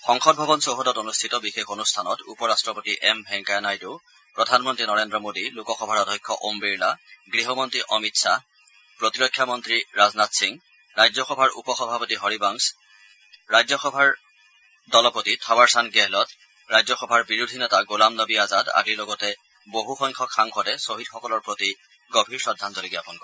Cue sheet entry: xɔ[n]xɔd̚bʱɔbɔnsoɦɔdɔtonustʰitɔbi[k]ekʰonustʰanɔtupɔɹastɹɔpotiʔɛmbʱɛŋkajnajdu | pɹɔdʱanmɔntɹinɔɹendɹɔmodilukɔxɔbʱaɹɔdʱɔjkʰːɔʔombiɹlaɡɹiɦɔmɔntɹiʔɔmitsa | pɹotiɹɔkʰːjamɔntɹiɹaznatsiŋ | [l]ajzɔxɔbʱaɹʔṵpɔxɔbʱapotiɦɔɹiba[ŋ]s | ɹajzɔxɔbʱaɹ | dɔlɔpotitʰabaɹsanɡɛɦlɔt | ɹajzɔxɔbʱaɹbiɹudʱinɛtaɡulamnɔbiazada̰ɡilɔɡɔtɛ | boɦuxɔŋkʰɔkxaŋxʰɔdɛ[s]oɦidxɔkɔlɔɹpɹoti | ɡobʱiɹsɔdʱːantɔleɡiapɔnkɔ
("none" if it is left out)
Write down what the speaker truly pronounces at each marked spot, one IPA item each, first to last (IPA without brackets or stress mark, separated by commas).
ŋ, x, ɹ, ŋ, s